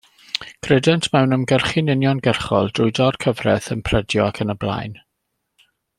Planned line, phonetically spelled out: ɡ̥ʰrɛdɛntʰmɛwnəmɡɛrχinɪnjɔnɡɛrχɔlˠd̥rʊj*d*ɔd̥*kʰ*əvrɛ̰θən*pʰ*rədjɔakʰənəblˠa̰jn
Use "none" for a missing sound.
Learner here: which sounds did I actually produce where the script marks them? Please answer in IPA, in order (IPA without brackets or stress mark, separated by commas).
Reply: d, kʰ, pʰ